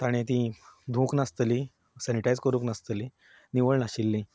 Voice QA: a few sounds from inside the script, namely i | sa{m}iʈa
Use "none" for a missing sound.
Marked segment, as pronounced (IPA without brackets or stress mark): n